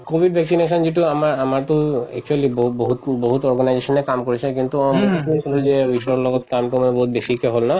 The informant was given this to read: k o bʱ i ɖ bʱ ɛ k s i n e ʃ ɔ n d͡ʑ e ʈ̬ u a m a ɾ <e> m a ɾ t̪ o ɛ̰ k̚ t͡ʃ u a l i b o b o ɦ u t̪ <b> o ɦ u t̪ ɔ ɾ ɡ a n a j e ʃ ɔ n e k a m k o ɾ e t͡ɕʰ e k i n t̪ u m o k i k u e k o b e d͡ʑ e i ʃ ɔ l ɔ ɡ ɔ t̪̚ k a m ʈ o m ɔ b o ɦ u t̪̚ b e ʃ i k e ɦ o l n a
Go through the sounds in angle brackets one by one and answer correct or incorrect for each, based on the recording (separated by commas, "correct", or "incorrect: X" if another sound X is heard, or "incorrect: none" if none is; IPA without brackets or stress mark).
incorrect: a, correct